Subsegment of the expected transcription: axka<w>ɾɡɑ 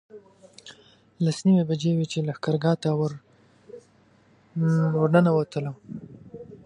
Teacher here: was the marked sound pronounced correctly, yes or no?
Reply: no